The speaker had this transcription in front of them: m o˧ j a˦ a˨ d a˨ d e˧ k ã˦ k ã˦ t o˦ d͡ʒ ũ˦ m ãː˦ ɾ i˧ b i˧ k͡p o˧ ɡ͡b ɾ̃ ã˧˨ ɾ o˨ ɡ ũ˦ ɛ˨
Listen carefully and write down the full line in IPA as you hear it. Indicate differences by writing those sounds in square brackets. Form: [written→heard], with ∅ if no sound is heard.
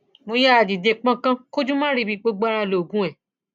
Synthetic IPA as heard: m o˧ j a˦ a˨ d [a˨→i˨] d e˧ [k→k͡p] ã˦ k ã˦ [t→k] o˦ d͡ʒ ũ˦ m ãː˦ ɾ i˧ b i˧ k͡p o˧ ɡ͡b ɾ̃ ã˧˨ [ɾ→l] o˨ ɡ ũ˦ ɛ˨